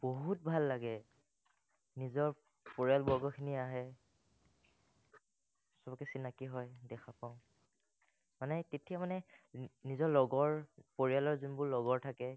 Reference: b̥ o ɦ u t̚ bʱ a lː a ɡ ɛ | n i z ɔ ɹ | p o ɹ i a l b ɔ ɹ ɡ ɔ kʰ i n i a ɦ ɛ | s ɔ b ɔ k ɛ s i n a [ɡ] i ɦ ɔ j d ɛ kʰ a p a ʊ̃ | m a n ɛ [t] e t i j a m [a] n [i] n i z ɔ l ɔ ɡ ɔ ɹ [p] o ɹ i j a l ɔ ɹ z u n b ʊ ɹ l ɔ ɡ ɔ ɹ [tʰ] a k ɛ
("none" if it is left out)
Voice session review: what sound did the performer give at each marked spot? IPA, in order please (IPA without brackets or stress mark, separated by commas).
k, t, a, ɛ, p, tʰ